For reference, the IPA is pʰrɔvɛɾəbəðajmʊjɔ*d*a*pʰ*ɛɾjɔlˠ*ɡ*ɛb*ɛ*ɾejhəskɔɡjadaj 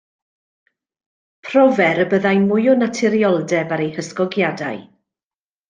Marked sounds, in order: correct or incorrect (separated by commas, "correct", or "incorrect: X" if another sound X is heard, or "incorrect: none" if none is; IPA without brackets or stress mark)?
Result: incorrect: n, incorrect: tʰ, incorrect: d, incorrect: a